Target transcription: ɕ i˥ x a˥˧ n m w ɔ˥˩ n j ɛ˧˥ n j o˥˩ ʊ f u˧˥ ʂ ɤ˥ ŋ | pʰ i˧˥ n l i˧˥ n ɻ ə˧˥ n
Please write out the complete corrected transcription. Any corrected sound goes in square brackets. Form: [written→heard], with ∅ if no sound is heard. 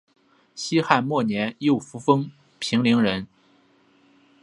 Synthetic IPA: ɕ i˥ x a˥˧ n m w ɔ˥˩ n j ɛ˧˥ n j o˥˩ ʊ f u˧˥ [ʂ→f] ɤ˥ ŋ | pʰ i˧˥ [n→ŋ] l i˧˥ [n→ŋ] ɻ ə˧˥ n